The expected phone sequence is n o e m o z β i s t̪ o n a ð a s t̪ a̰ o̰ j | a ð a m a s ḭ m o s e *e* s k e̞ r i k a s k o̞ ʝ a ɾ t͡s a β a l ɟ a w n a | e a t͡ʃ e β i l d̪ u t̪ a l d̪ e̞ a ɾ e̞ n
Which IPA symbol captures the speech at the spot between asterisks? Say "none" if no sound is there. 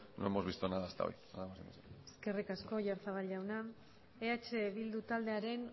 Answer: e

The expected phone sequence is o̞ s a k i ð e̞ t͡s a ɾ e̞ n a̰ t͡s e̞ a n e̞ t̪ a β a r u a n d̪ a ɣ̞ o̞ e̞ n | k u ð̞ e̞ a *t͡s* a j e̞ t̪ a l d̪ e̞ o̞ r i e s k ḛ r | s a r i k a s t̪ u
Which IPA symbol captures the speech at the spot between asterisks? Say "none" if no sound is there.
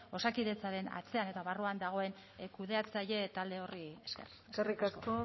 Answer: t͡s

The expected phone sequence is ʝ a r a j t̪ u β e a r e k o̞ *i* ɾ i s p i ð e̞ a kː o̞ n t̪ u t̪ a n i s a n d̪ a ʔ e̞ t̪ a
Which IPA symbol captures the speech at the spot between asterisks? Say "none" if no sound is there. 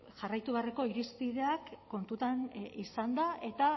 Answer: i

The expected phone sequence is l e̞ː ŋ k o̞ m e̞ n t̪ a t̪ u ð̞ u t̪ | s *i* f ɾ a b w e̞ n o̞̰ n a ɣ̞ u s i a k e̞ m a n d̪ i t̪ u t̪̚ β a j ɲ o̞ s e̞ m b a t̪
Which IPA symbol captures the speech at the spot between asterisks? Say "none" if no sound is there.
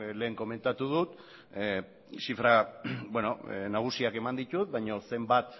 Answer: i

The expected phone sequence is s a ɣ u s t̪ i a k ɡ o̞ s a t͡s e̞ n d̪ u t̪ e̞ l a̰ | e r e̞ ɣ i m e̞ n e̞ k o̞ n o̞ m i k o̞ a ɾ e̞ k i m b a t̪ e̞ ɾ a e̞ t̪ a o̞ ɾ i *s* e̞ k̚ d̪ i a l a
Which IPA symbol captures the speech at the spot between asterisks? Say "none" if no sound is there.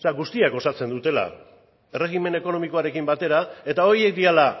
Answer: none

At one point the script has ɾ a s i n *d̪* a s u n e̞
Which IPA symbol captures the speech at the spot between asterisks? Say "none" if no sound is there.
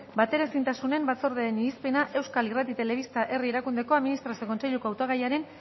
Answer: t̪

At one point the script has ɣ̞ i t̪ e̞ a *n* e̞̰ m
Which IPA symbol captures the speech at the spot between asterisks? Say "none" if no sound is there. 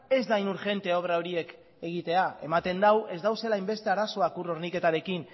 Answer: none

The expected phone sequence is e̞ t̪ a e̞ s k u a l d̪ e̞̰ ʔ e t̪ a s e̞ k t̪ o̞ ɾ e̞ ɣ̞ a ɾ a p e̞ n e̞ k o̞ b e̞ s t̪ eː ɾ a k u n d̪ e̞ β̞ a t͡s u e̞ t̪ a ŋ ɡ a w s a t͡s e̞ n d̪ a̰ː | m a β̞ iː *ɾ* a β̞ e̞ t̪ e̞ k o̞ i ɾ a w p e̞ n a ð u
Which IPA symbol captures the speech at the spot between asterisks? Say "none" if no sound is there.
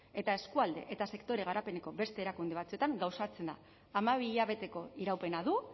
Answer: ʎ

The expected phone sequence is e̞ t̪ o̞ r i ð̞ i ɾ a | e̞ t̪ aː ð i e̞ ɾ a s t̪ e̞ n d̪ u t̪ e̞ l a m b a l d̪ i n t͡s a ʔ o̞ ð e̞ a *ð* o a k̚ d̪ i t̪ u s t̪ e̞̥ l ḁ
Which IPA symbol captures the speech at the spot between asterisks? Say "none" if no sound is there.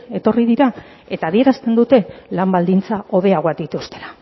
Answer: ɣ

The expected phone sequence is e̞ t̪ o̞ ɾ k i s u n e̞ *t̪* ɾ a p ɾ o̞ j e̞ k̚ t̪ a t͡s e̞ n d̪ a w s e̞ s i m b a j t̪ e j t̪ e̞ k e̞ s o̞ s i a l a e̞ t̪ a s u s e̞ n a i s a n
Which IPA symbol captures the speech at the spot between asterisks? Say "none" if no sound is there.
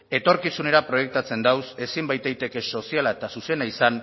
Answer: none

